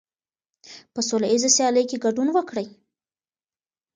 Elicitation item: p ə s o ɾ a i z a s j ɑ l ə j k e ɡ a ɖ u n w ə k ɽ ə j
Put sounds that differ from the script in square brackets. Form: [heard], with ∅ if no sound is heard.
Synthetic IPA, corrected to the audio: p ə s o [l] a i z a s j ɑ l ə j k e ɡ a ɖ u n w ə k ɽ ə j